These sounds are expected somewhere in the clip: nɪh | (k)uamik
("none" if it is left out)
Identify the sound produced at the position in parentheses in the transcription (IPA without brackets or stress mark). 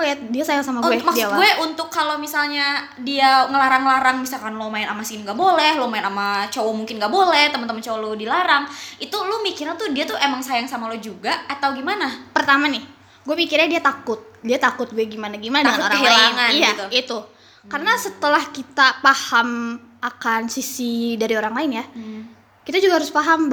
ɡ